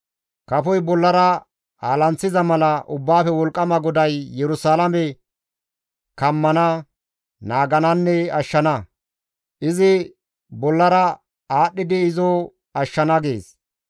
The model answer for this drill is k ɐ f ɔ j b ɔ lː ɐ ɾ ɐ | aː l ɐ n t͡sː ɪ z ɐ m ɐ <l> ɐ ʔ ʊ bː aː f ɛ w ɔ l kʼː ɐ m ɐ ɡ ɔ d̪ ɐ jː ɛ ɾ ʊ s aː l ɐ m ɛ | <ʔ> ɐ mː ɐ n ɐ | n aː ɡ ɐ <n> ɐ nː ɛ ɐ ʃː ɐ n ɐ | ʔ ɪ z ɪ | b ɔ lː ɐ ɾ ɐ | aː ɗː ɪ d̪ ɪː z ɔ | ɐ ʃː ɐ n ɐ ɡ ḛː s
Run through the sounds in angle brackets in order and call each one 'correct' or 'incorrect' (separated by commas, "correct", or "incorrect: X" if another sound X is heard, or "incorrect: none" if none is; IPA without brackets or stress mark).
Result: correct, incorrect: k, correct